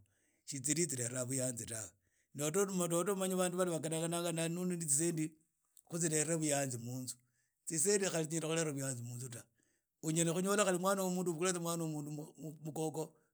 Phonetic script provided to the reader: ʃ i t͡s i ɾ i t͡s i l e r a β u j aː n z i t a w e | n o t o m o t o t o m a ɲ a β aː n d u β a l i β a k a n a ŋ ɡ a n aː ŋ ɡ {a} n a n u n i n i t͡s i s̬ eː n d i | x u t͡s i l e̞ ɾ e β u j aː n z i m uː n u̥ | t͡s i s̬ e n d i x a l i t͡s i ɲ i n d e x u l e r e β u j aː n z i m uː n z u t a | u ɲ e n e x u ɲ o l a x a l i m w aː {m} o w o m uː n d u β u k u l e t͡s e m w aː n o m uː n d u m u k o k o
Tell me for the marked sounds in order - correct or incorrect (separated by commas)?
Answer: correct, incorrect